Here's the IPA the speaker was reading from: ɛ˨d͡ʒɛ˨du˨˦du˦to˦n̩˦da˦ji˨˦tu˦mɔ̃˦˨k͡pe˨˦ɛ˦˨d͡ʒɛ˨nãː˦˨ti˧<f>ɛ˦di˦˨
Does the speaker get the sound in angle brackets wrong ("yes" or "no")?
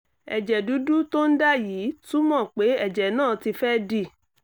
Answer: no